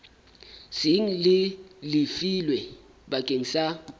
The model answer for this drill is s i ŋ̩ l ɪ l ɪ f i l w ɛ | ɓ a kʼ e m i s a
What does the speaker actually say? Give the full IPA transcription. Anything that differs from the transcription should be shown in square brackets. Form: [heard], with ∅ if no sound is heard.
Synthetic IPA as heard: s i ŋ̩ l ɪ l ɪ f i l w ɛ | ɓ a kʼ e [ŋ] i s a